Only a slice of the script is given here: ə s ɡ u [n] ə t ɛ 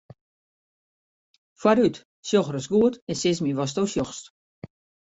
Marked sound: incorrect: none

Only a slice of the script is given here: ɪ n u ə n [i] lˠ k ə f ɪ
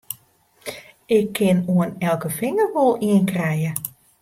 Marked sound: incorrect: ɛ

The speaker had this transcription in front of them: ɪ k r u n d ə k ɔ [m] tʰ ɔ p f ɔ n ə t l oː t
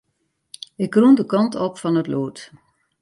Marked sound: incorrect: n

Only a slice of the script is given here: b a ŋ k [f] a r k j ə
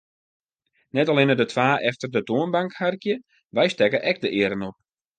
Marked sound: incorrect: h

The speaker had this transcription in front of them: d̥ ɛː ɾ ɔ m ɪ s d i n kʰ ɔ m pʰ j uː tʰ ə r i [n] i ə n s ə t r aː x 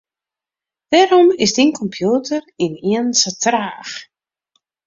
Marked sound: correct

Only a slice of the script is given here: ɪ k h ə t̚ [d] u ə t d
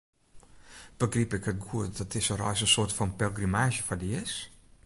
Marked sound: incorrect: ɡ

